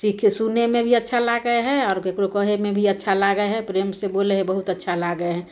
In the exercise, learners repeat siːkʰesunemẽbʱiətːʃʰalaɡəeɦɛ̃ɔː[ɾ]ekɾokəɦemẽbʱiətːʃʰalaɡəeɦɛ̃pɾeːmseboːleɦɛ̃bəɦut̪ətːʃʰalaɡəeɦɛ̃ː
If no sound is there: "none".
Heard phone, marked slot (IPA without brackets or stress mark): ɾ